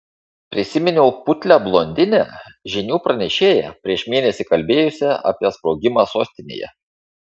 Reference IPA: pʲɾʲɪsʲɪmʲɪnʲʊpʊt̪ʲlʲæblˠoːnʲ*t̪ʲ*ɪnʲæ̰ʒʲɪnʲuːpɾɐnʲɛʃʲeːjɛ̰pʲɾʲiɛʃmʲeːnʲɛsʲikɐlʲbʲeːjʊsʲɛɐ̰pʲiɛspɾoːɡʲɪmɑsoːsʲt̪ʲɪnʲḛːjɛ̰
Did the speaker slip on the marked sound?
yes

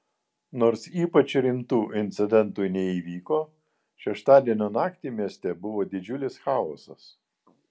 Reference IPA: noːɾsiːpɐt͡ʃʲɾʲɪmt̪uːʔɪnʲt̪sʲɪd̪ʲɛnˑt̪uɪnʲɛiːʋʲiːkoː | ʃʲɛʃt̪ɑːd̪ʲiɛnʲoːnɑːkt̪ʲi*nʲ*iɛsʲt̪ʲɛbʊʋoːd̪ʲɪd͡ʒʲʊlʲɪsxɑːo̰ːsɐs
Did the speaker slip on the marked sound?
yes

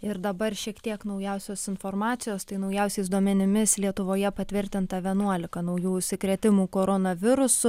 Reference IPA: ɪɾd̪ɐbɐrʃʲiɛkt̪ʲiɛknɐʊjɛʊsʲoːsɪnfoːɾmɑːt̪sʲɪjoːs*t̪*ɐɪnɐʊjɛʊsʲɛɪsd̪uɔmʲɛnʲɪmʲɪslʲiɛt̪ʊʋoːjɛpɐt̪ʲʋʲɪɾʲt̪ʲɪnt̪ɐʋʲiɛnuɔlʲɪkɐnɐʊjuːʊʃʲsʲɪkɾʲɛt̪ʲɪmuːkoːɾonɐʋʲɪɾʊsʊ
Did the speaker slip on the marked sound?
no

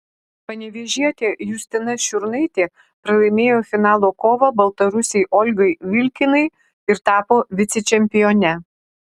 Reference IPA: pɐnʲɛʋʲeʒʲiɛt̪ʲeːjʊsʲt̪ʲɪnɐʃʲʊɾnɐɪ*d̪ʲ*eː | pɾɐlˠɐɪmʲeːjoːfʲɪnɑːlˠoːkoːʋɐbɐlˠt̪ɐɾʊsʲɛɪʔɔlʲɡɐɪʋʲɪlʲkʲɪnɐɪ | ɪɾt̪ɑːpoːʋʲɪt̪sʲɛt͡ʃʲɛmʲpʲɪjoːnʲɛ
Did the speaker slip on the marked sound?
yes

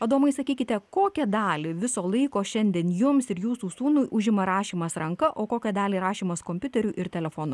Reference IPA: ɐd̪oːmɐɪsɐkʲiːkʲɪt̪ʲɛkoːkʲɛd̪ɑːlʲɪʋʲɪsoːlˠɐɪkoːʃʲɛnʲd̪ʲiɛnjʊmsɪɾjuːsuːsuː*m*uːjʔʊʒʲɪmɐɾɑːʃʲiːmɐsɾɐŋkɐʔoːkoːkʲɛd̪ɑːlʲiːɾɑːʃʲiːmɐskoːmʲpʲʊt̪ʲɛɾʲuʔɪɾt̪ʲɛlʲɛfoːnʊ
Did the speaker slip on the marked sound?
yes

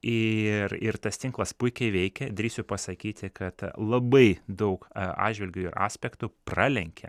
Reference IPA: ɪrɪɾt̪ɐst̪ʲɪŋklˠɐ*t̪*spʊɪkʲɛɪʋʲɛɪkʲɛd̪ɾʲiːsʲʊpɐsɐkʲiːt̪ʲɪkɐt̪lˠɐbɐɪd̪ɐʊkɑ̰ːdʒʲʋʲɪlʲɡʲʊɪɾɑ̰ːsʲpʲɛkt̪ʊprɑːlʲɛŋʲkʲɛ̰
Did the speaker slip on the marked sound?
yes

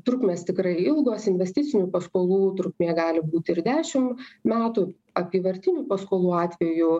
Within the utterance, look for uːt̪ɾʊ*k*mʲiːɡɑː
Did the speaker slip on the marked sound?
no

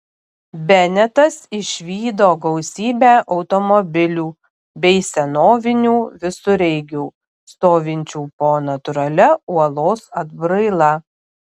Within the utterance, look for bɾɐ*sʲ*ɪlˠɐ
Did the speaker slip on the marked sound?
yes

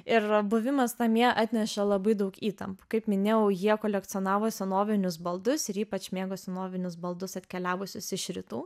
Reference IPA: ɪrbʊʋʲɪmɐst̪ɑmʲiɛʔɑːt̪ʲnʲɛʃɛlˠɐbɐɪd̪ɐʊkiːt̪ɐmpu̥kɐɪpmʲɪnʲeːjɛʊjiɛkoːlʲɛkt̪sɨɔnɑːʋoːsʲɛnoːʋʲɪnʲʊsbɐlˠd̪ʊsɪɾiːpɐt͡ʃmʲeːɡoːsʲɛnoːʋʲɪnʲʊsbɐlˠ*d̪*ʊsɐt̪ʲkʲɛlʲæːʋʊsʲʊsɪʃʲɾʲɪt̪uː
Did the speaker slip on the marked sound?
no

